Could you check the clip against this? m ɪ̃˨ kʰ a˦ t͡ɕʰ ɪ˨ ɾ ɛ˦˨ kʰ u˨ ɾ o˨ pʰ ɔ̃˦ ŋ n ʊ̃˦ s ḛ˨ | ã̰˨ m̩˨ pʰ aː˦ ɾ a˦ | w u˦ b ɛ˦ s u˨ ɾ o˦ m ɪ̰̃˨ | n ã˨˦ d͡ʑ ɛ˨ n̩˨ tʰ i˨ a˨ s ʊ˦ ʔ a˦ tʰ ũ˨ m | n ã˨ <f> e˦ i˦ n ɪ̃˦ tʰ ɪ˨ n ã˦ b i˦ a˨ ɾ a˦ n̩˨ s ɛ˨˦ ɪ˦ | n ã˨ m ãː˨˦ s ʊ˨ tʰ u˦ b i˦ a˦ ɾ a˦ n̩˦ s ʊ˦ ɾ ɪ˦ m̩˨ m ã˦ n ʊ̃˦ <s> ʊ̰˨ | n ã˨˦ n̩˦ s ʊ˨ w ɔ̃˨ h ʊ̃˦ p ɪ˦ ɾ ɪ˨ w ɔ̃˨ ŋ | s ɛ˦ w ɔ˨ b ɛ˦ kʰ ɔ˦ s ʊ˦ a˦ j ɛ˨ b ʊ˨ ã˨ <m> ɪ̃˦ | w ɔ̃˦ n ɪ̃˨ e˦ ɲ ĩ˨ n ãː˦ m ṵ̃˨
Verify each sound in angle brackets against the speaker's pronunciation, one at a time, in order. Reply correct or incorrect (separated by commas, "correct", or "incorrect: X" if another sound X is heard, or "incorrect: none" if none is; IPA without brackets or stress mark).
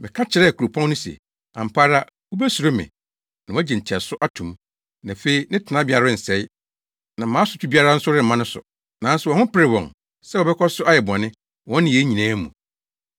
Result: correct, correct, incorrect: n